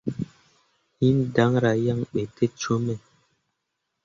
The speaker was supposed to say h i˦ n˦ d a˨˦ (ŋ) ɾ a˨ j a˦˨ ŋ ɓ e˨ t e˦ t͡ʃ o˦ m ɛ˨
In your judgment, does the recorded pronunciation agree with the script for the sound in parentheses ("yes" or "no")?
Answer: yes